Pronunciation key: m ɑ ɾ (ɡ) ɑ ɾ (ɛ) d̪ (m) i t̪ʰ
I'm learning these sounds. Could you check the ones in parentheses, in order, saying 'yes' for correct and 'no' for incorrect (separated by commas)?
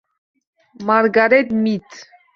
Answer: yes, yes, yes